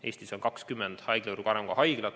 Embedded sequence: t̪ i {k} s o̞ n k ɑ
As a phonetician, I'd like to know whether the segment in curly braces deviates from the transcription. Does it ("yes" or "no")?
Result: yes